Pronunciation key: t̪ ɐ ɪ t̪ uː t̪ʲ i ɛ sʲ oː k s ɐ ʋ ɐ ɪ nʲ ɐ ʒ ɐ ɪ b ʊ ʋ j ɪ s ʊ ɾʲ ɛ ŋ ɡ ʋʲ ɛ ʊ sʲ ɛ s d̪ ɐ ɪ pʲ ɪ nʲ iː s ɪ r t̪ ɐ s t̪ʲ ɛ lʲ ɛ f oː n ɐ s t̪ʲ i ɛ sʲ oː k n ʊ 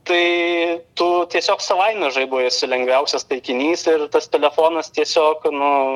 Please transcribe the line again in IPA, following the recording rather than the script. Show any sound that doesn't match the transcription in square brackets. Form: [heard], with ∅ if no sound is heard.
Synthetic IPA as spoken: t̪ ɐ ɪ t̪ uː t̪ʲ i ɛ sʲ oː k s ɐ ʋ ɐ ɪ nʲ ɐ ʒ ɐ ɪ b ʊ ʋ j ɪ s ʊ [lʲ] ɛ ŋ ɡ ʋʲ ɛ ʊ sʲ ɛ s [t̪] ɐ ɪ [kʲ] ɪ nʲ iː s ɪ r t̪ ɐ s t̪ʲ ɛ lʲ ɛ f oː n ɐ s t̪ʲ i ɛ sʲ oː k n ʊ